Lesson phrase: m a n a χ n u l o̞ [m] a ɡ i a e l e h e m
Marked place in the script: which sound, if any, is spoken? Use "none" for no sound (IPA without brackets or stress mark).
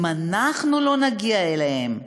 n